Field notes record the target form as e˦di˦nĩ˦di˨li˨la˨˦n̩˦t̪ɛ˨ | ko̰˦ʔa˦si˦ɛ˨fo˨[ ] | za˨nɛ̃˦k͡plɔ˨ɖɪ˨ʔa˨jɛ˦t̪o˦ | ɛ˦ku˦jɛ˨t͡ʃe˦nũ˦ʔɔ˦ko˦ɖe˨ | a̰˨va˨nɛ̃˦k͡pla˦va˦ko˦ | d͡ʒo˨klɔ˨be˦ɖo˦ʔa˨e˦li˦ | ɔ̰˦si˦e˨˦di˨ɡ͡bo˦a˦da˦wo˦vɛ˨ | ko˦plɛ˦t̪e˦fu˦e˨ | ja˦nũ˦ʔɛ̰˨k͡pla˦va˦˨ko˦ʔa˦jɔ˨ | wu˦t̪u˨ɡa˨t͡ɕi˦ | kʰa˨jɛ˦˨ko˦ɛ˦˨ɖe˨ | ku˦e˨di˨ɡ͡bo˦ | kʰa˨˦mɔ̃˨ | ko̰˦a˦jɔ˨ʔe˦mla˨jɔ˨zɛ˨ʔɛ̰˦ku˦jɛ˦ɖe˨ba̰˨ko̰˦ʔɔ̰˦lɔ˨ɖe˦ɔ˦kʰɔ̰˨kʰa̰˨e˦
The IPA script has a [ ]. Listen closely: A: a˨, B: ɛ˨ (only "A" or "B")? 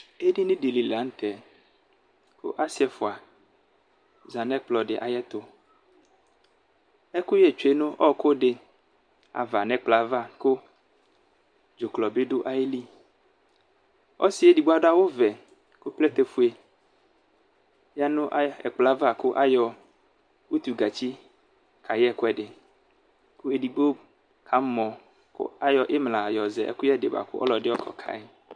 A